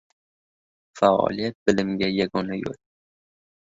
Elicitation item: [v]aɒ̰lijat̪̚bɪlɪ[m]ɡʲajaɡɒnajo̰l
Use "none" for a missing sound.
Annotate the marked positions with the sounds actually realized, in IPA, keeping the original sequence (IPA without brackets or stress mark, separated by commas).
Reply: f, m